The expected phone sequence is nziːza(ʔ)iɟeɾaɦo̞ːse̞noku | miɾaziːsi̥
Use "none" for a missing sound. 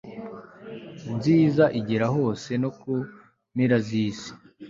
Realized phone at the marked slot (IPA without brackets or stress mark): ʔ